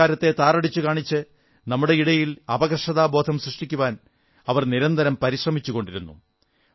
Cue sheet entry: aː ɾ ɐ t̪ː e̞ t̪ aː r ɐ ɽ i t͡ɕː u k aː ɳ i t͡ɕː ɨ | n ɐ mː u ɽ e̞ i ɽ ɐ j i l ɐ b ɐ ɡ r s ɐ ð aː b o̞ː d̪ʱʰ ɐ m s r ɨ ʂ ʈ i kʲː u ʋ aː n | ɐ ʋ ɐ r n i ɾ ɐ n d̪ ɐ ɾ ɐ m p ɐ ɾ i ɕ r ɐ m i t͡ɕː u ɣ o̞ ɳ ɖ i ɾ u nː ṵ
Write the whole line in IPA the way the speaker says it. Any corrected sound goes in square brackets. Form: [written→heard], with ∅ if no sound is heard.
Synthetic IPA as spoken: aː ɾ ɐ t̪ː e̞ t̪ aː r ɐ ɽ i t͡ɕː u k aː ɳ i t͡ɕː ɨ | n ɐ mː u ɽ e̞ i ɽ ɐ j i l ɐ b ɐ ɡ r [s→ʂ] ɐ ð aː b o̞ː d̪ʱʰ ɐ m s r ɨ ʂ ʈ i kʲː u ʋ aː n | ɐ ʋ ɐ r n i ɾ ɐ n d̪ ɐ ɾ ɐ m p ɐ ɾ i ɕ r ɐ m i t͡ɕː u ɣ o̞ ɳ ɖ i ɾ u nː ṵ